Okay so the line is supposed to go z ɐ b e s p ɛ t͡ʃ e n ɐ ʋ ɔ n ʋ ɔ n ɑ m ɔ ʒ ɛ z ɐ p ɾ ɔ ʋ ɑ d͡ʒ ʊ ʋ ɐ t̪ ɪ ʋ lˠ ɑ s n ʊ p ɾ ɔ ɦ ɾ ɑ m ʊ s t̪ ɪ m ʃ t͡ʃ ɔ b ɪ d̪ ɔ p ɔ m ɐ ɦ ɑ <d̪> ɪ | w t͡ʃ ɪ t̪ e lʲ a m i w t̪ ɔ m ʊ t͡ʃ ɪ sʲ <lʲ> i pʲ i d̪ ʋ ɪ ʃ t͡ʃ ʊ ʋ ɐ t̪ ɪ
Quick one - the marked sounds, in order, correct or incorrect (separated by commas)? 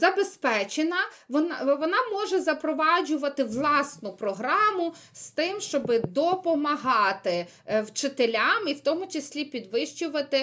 incorrect, correct